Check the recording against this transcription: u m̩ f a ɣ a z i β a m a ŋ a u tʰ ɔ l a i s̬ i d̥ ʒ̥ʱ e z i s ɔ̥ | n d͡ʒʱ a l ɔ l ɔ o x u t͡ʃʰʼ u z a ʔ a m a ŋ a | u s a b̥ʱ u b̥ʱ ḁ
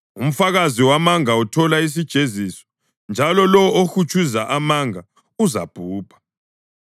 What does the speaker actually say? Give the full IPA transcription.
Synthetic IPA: u m̩ f a ɣ a z i w a m a ŋ a u tʰ ɔ l a i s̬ i d̥ ʒ̥ʱ e z i s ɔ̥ | n d͡ʒʱ a l ɔ l ɔ o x u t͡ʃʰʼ u z a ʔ a m a ŋ a | u z a b̥ʱ uː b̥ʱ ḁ